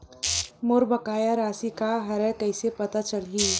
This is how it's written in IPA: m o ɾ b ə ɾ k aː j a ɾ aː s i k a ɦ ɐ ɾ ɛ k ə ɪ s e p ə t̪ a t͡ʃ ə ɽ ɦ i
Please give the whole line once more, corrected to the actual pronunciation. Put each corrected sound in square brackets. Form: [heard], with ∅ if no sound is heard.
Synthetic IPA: m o ɾ b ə [∅] k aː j a ɾ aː s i k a ɦ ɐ ɾ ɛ k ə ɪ s e p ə t̪ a t͡ʃ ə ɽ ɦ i